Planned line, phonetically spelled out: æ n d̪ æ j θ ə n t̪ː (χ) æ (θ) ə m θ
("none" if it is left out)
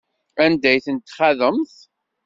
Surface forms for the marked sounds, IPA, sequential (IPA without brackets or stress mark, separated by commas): χ, ð